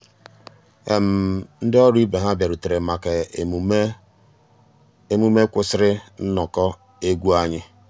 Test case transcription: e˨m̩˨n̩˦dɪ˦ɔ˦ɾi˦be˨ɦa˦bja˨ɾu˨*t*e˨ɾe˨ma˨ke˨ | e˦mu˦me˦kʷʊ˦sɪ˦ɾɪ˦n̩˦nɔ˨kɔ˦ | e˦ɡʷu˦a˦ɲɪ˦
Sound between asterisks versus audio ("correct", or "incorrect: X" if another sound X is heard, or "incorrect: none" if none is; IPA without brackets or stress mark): correct